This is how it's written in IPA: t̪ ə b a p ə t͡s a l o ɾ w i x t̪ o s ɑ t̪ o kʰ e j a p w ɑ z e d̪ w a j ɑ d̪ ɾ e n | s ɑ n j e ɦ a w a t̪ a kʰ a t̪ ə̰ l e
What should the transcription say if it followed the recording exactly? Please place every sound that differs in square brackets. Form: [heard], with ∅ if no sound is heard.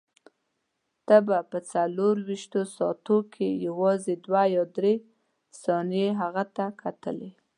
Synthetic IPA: t̪ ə b a p ə t͡s a l o ɾ w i [ʃ] t̪ o s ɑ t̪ o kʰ e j a [∅] w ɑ z e d̪ w a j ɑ d̪ ɾ e [∅] | s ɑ n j e ɦ a [ɣ] a t̪ a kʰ a t̪ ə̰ l e